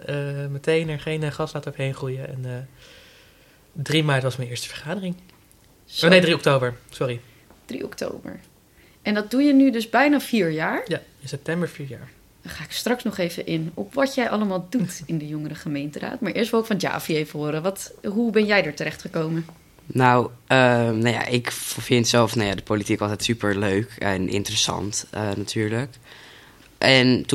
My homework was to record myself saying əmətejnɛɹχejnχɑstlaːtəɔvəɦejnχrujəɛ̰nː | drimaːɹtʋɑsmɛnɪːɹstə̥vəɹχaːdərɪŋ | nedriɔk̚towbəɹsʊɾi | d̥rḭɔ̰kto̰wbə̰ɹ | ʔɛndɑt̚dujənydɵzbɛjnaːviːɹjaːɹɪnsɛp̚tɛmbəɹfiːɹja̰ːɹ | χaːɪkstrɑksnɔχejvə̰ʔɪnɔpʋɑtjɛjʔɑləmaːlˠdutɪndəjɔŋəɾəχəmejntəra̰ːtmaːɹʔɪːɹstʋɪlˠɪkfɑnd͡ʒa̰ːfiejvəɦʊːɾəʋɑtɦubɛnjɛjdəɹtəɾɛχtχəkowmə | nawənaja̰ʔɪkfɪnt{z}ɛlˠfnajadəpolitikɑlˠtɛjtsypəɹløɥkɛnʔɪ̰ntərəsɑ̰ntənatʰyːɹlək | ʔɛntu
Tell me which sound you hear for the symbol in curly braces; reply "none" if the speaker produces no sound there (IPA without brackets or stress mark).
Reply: s